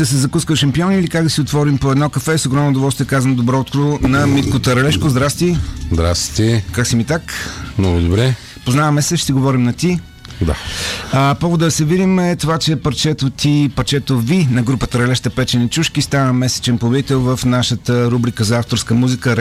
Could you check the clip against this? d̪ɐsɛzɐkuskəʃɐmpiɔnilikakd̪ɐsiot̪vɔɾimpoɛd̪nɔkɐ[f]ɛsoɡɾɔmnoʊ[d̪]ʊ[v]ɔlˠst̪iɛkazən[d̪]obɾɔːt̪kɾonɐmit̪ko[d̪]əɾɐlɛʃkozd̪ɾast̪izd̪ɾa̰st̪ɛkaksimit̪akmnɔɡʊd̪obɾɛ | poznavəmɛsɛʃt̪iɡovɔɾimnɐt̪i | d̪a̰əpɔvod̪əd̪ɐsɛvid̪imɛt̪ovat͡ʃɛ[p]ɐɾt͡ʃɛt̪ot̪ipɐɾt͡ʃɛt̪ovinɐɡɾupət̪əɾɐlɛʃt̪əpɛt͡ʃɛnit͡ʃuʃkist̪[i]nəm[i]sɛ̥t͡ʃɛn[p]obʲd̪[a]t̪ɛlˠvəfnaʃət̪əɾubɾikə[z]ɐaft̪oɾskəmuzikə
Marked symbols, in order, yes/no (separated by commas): yes, yes, yes, yes, no, yes, no, no, yes, no, yes